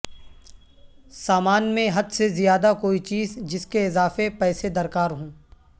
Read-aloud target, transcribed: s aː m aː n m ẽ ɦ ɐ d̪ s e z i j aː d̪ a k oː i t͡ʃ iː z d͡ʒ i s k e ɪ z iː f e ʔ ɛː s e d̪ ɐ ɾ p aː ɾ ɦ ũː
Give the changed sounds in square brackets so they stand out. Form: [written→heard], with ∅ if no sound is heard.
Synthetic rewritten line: s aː m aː n m ẽ ɦ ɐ d̪ s e z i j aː d̪ a k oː i t͡ʃ iː z d͡ʒ [i→ɪ] s k e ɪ z [iː→aː] f e [ʔ→p] ɛː s e d̪ ɐ ɾ [p→k] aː ɾ ɦ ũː